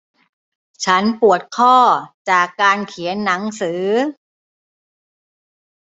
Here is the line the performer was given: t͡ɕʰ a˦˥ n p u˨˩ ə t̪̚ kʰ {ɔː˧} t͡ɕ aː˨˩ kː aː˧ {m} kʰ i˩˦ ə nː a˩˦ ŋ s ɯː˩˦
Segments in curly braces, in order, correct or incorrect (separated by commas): incorrect, incorrect